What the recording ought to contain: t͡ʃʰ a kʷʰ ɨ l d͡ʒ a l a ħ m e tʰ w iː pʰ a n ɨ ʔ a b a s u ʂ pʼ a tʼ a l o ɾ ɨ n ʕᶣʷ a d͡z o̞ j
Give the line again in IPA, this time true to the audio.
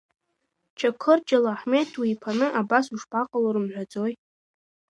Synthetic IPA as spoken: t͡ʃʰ a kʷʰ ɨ r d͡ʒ a l a ħ m e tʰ w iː pʰ a n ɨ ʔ a b a s u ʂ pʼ a qʼ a l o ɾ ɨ m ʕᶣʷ a d͡z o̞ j